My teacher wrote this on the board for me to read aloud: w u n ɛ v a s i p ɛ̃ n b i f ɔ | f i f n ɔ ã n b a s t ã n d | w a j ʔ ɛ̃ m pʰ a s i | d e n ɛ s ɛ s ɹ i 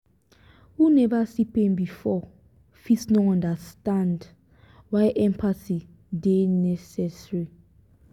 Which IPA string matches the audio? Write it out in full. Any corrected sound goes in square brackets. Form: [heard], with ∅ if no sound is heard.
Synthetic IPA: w u n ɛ v a s i p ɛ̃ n b i f ɔ | f i [s] n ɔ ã n [d] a s t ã n d | w a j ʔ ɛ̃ m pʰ a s i | d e n ɛ s ɛ s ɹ i